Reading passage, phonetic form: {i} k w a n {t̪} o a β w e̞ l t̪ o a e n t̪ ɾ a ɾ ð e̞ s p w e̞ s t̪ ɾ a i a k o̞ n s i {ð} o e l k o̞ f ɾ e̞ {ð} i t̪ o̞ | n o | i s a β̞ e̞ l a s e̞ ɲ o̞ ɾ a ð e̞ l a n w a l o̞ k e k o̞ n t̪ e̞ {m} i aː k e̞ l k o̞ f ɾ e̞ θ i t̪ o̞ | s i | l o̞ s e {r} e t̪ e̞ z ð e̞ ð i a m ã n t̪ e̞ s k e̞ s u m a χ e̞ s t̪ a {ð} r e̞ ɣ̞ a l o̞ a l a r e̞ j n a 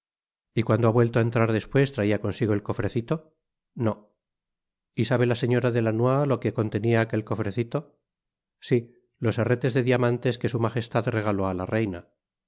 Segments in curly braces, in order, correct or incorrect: correct, incorrect: d̪, incorrect: ɣ, incorrect: θ, incorrect: n, correct, correct

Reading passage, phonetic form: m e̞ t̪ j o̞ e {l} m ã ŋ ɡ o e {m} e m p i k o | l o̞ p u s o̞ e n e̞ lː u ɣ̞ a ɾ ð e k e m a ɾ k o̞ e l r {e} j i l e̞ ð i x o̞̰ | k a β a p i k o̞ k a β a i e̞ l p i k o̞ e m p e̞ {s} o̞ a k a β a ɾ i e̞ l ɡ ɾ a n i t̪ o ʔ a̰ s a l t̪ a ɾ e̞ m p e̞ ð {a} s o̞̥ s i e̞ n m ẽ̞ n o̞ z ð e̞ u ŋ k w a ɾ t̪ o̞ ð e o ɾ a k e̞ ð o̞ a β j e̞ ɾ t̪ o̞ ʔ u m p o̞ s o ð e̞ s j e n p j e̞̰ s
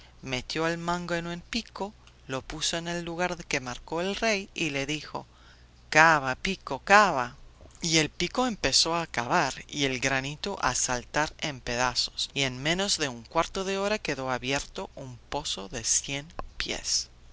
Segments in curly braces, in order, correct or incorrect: correct, incorrect: n, correct, correct, correct

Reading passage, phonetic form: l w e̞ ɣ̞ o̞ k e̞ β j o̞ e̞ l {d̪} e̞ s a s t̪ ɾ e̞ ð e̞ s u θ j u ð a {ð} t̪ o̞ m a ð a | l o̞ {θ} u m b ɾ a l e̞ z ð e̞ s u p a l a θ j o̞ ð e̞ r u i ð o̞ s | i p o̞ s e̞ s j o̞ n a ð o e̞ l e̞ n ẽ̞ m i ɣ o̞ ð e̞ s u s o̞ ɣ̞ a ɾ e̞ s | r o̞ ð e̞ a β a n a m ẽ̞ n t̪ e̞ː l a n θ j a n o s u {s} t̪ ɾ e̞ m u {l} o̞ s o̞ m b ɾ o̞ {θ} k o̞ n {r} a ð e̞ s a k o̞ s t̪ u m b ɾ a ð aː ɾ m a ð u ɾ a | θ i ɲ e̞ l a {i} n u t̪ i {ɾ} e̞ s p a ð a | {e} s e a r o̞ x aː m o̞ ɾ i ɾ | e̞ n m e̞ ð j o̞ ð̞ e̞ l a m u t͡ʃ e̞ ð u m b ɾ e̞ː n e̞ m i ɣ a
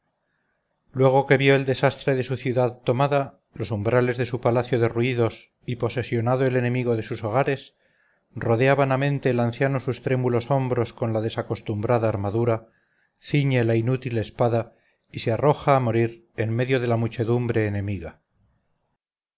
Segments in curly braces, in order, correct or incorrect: correct, correct, incorrect: s, correct, correct, incorrect: s, incorrect: l, correct, incorrect: l, incorrect: i

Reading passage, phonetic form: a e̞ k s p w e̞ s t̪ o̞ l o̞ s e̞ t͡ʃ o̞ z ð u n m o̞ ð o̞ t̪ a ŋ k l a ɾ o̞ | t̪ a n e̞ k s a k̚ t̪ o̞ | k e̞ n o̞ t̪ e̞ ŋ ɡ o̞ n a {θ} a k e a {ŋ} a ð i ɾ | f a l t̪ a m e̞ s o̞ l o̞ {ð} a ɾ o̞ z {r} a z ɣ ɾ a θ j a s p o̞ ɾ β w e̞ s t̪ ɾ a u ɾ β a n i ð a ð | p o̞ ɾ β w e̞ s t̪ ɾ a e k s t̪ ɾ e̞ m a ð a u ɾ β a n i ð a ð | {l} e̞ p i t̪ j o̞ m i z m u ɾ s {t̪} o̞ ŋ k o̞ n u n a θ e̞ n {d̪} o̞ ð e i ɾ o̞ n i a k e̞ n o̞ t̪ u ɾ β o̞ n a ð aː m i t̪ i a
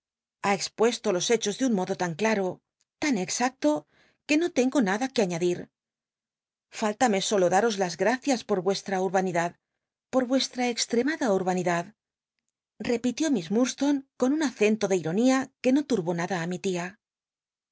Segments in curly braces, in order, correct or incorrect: incorrect: ð, incorrect: ɲ, correct, incorrect: l, incorrect: r, correct, incorrect: t̪

